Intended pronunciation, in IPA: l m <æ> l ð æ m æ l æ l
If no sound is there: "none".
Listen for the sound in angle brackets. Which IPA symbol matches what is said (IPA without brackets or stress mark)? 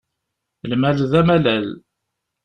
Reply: æ